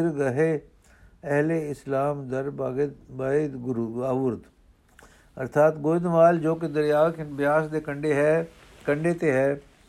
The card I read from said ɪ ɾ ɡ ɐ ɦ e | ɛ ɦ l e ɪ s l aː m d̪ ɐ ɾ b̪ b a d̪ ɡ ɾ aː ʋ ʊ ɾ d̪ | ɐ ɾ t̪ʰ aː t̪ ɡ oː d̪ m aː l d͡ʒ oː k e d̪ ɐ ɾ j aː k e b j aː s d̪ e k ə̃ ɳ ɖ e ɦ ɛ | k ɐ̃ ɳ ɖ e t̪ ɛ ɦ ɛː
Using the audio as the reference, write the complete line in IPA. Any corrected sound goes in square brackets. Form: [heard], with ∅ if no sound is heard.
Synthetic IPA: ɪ ɾ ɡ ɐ ɦ e | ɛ ɦ l e ɪ s l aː m d̪ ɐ ɾ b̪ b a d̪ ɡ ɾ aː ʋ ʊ ɾ d̪ | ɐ ɾ t̪ʰ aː t̪ ɡ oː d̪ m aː l d͡ʒ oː k e d̪ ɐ ɾ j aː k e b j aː s d̪ e k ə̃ ɳ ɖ e ɦ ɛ | k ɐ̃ ɳ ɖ e t̪ [e] ɦ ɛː